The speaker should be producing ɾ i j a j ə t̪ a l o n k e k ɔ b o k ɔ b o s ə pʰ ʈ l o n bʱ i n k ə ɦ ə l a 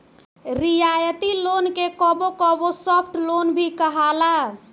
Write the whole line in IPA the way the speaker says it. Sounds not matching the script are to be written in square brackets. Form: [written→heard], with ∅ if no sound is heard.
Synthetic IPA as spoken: ɾ i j a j ə t̪ [a→i] l o n k e k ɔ b o k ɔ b o s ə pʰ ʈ l o n bʱ i [n→∅] k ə ɦ [ə→a] l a